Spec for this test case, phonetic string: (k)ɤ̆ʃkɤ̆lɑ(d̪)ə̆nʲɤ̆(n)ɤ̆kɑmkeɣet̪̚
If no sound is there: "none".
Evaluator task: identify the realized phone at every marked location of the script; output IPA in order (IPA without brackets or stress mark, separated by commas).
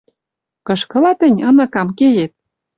k, t̪, n